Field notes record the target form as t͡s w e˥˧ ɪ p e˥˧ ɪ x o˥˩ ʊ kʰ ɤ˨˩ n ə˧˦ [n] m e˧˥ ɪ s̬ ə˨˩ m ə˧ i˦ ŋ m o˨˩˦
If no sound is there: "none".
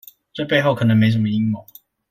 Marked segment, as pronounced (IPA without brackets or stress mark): ŋ